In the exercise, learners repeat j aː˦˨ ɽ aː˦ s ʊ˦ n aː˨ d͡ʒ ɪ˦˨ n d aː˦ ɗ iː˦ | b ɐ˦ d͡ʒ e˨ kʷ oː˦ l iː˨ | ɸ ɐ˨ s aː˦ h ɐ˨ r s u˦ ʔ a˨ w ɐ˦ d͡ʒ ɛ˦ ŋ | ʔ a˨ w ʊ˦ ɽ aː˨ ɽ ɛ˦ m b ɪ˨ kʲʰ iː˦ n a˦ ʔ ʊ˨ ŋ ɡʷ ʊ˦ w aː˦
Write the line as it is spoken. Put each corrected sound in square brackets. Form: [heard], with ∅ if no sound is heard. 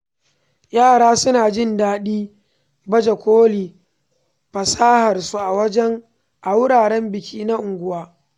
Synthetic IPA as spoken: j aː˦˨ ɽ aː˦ s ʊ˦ n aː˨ d͡ʒ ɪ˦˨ n d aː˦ ɗ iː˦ | b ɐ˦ d͡ʒ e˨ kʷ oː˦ l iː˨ | ɸ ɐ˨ s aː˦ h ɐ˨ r s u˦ ʔ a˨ w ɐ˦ d͡ʒ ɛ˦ ŋ | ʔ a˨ w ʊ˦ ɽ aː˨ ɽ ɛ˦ m b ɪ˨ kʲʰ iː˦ n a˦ ʔ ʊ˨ ŋ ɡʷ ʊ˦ w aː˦